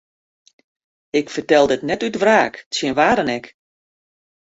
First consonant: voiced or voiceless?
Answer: voiceless